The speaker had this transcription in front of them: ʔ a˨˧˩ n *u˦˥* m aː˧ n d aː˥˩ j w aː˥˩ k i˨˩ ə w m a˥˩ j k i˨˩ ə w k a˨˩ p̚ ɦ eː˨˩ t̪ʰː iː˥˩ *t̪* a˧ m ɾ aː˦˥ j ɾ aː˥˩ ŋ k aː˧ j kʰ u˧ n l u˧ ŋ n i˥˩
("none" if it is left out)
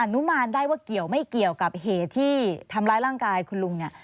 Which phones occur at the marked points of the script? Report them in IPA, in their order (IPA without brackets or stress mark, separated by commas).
u˦˥, t̪ʰ